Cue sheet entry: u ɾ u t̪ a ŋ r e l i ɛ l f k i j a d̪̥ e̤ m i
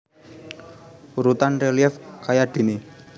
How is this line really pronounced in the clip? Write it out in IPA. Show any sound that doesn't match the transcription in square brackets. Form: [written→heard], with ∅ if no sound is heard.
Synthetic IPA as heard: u ɾ u t̪ a [ŋ→n] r e l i ɛ [l→∅] f k [i→a] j a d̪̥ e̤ [m→n] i